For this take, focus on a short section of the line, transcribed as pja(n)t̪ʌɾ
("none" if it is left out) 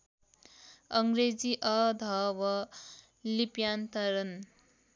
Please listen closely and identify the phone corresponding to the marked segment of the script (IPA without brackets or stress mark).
n